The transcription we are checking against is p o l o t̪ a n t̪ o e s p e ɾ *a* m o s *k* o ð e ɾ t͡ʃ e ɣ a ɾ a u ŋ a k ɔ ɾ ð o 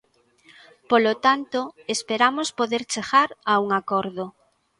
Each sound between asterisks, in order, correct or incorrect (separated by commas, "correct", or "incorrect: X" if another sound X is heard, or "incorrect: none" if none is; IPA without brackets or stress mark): correct, incorrect: p